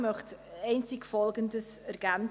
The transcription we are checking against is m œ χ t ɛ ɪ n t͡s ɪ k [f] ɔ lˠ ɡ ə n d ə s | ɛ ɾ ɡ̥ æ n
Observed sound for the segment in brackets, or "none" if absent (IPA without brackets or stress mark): f